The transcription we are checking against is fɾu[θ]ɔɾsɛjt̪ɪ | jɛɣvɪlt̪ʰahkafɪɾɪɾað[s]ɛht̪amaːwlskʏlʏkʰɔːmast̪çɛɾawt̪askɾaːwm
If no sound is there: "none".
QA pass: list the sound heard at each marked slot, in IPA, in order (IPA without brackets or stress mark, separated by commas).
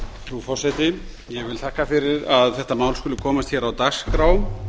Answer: f, θ